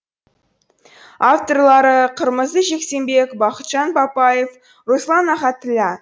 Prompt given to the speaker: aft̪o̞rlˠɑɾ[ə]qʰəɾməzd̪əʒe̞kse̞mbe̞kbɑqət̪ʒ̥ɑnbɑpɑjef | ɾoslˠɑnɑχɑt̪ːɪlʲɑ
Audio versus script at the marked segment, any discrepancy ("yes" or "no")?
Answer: no